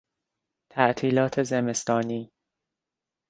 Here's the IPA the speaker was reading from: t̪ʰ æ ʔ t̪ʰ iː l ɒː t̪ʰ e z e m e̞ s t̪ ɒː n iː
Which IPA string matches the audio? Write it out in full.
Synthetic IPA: t̪ʰ æ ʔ t̪ʰ iː l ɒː t̪ʰ e z e m e̞ s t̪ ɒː n iː